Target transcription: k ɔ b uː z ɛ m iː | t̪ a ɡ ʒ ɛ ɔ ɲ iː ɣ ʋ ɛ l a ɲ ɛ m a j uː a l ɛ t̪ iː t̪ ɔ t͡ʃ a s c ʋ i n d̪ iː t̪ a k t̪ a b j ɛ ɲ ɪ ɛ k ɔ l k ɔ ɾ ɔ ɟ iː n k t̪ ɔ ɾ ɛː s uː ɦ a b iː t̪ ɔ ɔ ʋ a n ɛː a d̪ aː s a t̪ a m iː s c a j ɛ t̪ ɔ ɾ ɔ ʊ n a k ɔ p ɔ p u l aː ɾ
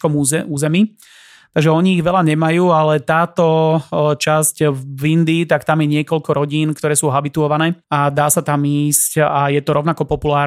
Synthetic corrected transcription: k ɔ m uː z ɛ m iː | t̪ a ɡ ʒ ɛ ɔ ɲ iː ɣ ʋ ɛ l a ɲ ɛ m a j uː a l ɛ t̪ aː t̪ ɔ t͡ʃ a s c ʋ i n d̪ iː t̪ a k t̪ a m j ɛ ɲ ɪ ɛ k ɔ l k ɔ ɾ ɔ ɟ iː n k t̪ ɔ ɾ ɛː s uː ɦ a b i t̪ u ɔ ʋ a n ɛː a d̪ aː s a t̪ a m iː s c a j ɛ t̪ ɔ ɾ ɔ ʊ n a k ɔ p ɔ p u l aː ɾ